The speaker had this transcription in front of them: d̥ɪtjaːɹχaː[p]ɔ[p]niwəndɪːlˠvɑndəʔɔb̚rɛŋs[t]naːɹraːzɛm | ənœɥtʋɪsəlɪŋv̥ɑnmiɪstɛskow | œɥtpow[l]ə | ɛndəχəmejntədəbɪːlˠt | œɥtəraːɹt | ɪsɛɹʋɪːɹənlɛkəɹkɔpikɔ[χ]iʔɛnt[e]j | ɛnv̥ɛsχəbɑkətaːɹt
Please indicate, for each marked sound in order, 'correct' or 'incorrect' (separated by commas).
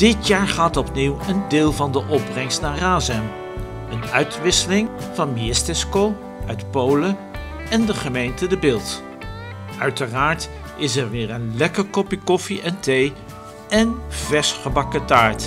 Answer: incorrect, correct, correct, correct, incorrect, correct